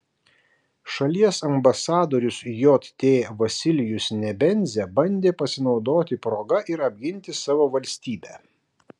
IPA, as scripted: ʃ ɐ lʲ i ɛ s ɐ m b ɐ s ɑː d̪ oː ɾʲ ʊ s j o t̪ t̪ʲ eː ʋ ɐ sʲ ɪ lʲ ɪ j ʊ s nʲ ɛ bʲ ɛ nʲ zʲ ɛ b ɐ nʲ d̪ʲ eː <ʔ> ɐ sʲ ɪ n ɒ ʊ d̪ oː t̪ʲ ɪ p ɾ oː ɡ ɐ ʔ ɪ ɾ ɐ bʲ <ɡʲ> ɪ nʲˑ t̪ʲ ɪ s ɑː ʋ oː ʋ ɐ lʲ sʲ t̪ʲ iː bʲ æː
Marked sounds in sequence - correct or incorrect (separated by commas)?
incorrect, correct